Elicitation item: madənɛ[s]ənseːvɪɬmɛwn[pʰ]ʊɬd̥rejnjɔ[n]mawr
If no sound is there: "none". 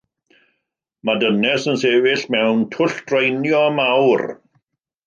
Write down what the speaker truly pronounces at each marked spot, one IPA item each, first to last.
s, tʰ, none

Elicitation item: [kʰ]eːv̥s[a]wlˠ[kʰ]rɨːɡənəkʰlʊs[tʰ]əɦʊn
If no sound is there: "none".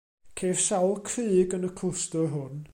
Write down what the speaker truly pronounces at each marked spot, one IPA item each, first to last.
kʰ, a, kʰ, t

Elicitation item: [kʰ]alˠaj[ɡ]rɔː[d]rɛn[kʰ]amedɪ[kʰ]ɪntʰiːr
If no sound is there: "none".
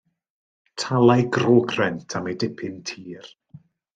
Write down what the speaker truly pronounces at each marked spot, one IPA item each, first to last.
tʰ, ɡ, ɡ, tʰ, pʰ

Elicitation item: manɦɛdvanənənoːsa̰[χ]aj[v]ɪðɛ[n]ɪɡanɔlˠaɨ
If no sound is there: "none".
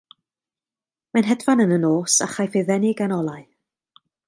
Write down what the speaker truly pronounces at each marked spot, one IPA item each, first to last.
χ, f, n

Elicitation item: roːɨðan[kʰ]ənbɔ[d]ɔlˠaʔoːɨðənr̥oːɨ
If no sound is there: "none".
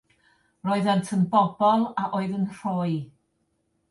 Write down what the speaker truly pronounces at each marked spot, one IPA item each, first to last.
tʰ, b

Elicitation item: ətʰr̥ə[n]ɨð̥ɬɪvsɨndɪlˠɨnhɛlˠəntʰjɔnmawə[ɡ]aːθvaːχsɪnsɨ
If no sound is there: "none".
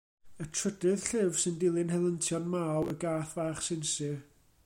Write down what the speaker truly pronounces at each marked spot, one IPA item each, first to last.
d, ɡ

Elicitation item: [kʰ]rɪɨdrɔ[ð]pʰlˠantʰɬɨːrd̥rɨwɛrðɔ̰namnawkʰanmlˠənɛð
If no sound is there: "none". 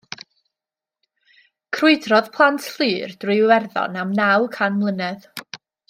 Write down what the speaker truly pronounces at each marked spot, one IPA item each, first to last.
kʰ, ð

